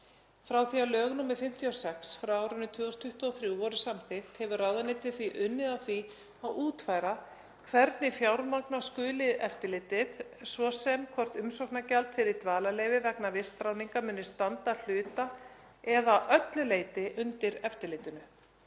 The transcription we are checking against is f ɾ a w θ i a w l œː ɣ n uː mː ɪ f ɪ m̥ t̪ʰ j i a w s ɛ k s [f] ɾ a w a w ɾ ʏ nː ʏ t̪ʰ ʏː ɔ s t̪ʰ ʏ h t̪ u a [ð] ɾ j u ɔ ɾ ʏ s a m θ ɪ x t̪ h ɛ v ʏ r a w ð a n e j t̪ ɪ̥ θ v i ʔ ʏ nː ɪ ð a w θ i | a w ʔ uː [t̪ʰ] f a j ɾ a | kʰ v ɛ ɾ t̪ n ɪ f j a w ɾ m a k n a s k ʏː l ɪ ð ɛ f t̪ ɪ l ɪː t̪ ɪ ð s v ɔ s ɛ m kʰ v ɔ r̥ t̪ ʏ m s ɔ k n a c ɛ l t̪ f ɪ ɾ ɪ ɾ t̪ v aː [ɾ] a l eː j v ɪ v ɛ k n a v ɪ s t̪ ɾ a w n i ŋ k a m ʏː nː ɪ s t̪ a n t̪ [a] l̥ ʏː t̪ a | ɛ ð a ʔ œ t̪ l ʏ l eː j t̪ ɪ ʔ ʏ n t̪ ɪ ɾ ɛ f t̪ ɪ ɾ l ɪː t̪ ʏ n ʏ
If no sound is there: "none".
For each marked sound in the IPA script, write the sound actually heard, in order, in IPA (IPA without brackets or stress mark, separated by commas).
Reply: f, θ, t̪, l, a